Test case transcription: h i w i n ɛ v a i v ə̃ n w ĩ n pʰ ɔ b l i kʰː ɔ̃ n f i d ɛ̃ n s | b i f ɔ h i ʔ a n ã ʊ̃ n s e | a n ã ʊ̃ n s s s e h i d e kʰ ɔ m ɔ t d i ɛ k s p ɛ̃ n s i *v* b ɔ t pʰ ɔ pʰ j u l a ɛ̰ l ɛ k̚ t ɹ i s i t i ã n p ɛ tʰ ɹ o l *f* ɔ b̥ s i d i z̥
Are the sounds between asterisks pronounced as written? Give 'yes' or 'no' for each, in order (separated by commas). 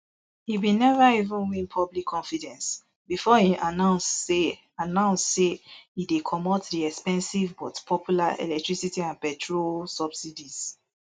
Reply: yes, no